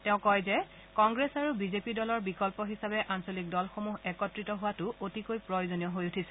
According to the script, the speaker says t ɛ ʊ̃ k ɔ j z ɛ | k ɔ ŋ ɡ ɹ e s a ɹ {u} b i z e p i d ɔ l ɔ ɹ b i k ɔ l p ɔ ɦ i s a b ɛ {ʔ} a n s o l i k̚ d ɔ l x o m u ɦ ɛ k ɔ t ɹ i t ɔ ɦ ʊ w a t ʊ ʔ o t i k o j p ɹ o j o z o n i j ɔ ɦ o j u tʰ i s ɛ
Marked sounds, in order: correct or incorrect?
correct, correct

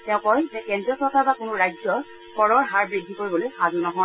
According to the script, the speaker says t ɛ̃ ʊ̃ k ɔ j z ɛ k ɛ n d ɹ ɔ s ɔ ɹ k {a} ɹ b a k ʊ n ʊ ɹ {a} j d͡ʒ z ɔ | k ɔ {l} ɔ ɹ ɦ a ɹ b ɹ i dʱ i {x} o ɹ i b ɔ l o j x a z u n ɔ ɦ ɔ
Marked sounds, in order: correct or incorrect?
correct, correct, incorrect: ɹ, incorrect: k

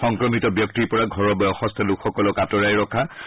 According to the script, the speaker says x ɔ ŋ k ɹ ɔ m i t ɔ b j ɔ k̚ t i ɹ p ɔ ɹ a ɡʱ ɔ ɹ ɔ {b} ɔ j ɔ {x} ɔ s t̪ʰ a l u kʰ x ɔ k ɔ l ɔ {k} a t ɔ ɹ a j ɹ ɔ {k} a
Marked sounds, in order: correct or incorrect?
correct, correct, correct, incorrect: kʰ

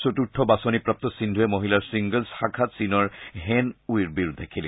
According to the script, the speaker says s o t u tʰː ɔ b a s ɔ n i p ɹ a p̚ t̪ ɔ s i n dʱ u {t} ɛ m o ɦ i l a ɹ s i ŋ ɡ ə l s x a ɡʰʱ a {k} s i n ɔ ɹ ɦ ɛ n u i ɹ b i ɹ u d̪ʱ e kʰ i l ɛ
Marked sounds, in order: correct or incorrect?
incorrect: none, incorrect: t

